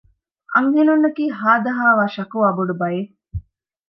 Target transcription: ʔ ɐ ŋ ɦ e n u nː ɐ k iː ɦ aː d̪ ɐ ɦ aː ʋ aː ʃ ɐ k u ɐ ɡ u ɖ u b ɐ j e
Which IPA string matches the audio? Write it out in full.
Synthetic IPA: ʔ ɐ ŋ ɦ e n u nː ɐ k iː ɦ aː d̪ ɐ ɦ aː ʋ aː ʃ ɐ k u ɐ b u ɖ u b ɐ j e